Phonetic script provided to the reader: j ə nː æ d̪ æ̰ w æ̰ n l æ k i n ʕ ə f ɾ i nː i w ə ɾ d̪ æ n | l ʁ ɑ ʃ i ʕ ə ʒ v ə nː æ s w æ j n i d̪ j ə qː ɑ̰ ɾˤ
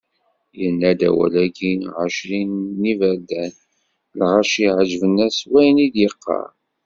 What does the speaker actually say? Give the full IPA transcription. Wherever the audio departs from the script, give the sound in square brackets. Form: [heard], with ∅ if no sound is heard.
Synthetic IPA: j ə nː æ d̪ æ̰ w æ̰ [∅] l æ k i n ʕ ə [ʃ] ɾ i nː i [v] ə ɾ d̪ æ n | l ʁ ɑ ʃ i ʕ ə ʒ v ə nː æ s w æ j n i d̪ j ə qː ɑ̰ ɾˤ